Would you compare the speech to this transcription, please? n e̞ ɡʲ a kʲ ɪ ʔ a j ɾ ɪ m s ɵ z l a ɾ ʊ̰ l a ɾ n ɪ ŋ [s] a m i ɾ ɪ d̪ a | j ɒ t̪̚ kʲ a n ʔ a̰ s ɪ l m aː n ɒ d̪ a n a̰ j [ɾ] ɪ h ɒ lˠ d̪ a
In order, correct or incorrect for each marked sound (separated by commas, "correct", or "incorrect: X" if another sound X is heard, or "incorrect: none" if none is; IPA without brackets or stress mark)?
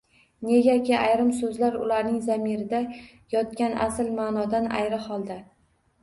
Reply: incorrect: z, correct